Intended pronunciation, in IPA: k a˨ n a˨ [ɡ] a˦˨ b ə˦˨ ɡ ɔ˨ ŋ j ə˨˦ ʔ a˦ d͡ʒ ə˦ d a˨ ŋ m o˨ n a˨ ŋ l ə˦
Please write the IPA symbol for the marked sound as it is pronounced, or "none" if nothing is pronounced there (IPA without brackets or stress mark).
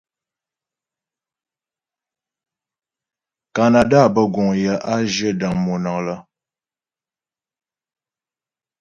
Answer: d